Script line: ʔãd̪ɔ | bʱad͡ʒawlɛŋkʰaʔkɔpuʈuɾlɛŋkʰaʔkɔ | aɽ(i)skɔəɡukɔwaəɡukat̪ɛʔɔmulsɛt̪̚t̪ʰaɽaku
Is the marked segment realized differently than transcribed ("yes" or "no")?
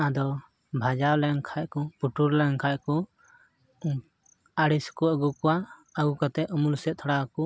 no